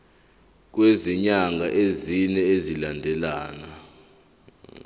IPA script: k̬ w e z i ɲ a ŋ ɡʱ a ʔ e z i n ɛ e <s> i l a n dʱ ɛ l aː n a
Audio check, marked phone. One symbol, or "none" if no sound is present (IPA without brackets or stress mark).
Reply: z